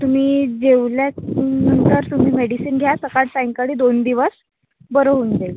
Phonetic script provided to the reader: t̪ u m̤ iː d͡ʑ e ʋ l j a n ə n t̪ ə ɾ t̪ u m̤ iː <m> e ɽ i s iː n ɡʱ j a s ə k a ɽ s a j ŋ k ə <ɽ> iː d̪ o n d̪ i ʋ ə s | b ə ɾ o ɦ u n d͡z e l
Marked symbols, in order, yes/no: yes, yes

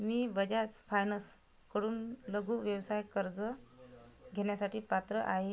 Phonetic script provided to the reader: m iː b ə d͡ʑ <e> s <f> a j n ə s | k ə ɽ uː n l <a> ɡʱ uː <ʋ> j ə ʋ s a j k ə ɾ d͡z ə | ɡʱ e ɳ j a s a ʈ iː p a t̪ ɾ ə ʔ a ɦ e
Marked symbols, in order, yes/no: no, yes, no, yes

